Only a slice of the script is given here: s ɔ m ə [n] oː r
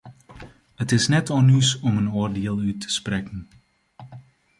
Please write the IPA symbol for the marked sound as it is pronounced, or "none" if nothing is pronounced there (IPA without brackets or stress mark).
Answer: n